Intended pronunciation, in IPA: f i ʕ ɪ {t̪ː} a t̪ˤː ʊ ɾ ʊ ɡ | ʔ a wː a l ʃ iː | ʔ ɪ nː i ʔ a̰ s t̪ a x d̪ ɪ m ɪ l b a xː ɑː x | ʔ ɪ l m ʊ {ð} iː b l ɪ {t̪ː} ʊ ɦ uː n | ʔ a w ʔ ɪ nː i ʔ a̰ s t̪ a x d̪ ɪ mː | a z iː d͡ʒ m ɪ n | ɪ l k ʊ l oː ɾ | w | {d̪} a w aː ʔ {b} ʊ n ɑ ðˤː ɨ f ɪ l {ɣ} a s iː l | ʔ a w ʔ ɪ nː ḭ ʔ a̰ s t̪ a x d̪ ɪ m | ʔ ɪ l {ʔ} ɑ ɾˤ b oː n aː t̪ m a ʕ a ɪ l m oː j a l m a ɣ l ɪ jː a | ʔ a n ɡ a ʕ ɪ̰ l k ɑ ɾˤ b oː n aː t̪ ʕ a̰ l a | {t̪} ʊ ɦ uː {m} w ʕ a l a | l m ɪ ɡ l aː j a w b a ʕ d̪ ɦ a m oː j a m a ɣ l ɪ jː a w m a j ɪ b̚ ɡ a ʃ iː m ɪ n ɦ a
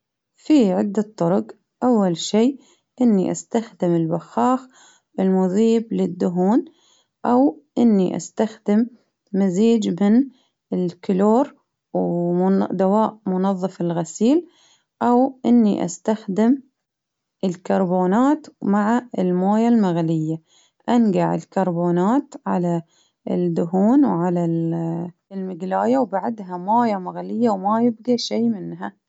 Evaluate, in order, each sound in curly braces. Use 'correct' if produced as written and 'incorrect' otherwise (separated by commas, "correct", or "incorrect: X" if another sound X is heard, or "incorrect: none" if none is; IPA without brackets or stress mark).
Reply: incorrect: d̪ː, correct, incorrect: d̪ː, correct, incorrect: m, correct, incorrect: k, incorrect: d̪, incorrect: n